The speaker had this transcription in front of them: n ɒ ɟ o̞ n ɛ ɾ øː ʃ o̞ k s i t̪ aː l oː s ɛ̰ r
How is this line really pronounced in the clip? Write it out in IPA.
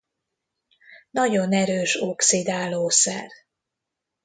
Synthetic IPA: n ɒ ɟ o̞ n ɛ ɾ øː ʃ o̞ k s i d̪ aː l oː s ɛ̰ r